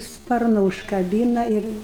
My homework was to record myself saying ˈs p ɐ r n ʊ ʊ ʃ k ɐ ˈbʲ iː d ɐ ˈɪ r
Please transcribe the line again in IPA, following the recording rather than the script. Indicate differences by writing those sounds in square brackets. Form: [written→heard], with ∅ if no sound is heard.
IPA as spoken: ˈs p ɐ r n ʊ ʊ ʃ k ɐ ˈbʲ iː [d→n] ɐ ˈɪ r

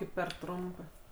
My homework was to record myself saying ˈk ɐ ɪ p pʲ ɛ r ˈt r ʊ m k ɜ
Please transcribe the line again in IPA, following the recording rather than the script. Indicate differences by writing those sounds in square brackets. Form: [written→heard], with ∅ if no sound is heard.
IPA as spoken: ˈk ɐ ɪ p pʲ ɛ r ˈt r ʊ m [k→p] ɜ

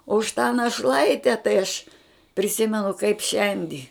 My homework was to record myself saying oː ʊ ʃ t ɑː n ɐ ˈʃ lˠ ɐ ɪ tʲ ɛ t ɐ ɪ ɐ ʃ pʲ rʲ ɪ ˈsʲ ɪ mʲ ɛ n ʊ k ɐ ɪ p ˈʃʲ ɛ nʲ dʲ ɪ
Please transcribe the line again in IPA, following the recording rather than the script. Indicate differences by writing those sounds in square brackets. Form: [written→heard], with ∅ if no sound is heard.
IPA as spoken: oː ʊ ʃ t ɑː n ɐ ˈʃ lˠ ɐ ɪ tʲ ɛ t ɐ ɪ ɐ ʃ pʲ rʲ ɪ ˈsʲ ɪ mʲ ɛ n ʊ k ɐ ɪ p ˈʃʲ ɛ nʲ dʲ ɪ

